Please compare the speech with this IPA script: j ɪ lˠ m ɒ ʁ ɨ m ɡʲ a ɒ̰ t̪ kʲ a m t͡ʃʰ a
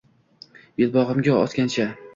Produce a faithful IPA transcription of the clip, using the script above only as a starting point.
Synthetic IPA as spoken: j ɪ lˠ b ɒ ʁ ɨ m ɡʲ a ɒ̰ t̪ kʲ a n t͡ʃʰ a